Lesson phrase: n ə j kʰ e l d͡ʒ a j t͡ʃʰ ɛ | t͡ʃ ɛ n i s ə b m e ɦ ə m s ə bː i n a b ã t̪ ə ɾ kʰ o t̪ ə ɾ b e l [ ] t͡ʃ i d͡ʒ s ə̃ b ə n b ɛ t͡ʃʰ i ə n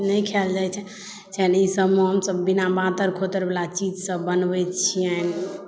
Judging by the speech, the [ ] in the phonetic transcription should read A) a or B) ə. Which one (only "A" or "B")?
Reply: A